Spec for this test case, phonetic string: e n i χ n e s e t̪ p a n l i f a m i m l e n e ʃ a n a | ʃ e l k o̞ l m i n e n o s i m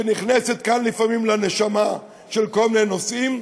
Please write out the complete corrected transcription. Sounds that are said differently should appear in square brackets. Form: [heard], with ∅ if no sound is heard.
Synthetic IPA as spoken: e n i χ n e s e t̪ [k] a n l i f a m i m l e n e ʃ a [m] a | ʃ e l k o̞ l m i n e n o s i m